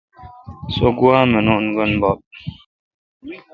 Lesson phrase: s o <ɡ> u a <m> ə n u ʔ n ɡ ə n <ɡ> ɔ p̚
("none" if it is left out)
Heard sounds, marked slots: ɡ, m, b

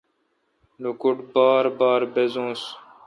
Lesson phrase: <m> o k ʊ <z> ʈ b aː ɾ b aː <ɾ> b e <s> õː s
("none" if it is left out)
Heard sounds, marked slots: n, none, ɾ, z

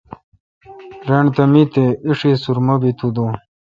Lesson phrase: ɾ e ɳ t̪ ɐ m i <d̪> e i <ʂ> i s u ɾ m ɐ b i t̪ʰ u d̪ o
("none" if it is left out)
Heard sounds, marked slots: t̪, ʂ

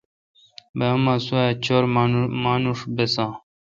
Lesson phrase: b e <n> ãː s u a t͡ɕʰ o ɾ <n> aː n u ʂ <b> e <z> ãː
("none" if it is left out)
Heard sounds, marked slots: m, m, b, s

